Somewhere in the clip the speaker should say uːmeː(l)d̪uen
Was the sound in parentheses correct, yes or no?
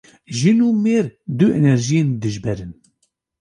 no